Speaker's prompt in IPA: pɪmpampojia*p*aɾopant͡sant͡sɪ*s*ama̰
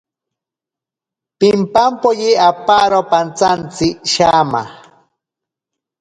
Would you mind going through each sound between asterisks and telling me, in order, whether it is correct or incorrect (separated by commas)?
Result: correct, incorrect